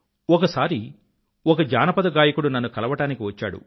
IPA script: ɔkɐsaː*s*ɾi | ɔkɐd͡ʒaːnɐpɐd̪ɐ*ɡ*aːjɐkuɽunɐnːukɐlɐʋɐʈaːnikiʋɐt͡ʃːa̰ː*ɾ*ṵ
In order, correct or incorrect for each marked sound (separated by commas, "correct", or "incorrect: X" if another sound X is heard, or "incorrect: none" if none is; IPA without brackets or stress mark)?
incorrect: none, correct, incorrect: ɽ